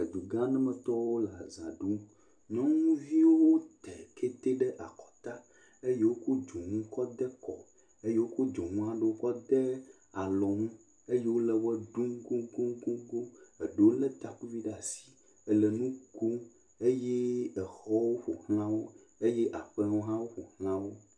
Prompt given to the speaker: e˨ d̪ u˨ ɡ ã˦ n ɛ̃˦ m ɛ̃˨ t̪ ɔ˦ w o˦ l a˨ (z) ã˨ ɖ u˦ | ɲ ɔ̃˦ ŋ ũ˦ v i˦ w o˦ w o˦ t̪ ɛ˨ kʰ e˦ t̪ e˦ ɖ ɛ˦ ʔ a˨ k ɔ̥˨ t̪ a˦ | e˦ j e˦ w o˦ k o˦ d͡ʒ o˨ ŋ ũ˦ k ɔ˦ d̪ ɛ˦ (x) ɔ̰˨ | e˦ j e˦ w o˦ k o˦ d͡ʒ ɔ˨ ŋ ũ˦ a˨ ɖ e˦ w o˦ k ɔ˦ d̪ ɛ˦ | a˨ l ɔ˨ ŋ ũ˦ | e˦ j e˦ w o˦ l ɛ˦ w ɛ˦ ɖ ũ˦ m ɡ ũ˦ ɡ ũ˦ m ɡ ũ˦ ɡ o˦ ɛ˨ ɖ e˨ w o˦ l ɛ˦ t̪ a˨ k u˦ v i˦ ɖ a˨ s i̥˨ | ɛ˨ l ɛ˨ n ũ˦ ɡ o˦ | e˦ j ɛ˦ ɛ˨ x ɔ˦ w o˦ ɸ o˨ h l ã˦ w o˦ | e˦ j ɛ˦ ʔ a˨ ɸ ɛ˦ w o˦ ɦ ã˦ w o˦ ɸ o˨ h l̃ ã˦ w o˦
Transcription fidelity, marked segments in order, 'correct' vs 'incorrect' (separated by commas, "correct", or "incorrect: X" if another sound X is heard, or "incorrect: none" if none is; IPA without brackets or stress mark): correct, incorrect: k